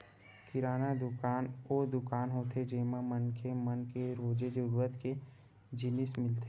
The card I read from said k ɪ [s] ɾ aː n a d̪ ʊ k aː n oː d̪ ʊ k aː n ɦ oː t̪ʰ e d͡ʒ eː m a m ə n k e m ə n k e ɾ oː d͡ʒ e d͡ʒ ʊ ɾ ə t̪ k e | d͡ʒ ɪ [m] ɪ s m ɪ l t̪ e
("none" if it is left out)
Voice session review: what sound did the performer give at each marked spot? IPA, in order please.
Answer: none, n

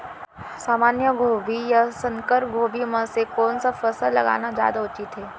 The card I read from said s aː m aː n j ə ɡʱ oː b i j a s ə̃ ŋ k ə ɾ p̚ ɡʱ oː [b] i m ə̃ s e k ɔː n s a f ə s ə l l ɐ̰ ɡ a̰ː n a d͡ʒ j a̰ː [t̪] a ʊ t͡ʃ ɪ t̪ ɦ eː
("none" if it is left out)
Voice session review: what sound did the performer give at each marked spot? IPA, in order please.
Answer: b, d̪

